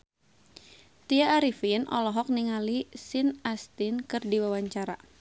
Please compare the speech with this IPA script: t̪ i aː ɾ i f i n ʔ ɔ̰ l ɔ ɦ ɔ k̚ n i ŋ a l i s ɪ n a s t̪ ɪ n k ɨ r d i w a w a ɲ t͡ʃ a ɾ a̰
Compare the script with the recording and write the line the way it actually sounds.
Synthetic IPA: t̪ i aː ɾ i f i n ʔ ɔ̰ l ɔ ɦ ɔ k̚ n i ŋ a l i s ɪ n a s t̪ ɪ n k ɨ r d i w a w a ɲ t͡ʃ a ɾ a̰